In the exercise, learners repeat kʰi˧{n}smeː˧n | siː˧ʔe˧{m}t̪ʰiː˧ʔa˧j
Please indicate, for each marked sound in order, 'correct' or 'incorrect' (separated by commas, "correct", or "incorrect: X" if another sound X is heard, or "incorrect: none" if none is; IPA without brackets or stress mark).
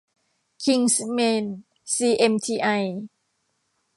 incorrect: ŋ, correct